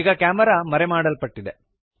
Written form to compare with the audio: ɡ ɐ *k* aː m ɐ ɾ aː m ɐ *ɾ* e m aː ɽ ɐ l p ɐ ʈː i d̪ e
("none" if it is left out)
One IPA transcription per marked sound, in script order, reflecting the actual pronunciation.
k, ɾ

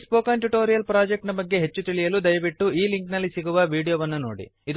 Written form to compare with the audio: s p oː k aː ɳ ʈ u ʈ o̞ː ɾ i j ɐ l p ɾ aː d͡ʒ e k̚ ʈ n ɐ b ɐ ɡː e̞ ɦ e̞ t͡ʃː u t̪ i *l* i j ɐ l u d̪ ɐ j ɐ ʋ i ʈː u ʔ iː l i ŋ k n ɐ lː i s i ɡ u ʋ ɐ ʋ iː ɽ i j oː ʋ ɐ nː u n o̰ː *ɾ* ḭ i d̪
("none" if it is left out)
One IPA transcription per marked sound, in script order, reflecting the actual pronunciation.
ɭ, ɽ

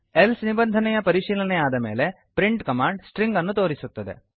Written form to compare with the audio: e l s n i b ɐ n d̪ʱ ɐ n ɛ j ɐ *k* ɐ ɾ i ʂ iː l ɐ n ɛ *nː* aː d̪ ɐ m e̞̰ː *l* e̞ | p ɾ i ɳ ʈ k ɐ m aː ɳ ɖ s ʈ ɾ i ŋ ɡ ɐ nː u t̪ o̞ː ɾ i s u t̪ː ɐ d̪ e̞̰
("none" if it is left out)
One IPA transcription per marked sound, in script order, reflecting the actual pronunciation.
p, none, l

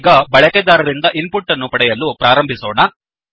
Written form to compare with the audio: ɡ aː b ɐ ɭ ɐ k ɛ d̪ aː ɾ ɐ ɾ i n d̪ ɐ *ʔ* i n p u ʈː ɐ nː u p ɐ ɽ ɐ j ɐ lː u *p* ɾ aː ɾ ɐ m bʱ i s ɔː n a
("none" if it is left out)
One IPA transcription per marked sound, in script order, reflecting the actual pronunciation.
ʔ, p

